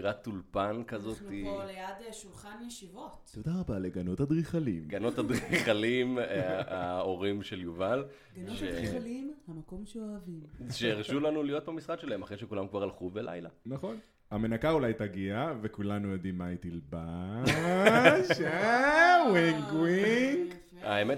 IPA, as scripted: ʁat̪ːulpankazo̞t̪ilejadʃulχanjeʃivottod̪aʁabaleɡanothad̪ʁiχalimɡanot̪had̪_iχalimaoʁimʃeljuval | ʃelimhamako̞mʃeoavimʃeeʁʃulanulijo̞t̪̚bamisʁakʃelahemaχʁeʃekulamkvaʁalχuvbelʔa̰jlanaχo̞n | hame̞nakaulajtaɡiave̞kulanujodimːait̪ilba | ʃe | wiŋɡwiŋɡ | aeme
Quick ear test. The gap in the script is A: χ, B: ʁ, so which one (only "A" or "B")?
B